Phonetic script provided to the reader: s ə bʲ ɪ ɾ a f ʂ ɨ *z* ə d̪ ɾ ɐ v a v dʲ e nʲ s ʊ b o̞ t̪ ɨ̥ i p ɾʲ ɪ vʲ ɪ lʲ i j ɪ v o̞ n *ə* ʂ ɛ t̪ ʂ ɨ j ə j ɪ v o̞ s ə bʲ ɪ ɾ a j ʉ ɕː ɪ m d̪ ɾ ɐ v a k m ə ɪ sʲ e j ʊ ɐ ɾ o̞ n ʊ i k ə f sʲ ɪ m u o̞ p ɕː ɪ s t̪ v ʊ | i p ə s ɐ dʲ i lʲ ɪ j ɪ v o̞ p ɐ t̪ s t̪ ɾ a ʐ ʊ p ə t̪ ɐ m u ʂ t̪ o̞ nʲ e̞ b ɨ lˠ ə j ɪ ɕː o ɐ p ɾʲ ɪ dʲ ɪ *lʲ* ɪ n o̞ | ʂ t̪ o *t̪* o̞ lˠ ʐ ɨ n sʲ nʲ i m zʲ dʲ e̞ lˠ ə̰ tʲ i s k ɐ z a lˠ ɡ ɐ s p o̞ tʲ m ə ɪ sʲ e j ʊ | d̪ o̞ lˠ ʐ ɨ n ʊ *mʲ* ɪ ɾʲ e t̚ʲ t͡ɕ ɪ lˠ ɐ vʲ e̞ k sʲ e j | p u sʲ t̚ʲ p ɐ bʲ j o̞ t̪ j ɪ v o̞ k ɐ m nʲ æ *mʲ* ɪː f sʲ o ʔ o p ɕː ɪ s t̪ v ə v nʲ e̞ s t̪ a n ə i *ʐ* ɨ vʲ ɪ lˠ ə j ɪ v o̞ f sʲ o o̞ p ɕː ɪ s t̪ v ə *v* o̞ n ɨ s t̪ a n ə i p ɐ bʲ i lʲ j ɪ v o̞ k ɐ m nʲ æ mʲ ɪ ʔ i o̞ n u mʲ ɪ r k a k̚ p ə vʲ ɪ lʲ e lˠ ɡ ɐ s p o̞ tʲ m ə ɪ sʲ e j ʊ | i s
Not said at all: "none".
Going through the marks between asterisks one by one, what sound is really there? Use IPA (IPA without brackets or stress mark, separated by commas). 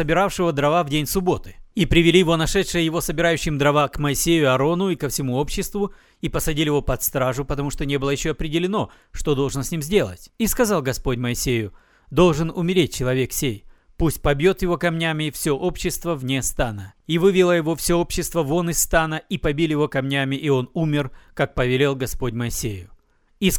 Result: v, ɐ, lʲ, d̪, mʲ, mʲ, v, v